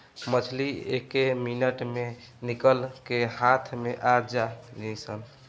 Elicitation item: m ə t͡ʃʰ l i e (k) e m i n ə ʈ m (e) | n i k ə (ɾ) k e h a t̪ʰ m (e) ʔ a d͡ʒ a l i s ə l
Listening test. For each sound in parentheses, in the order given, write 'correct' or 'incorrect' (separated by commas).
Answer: correct, correct, incorrect, correct